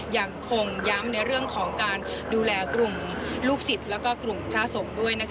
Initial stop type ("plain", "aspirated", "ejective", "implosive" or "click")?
aspirated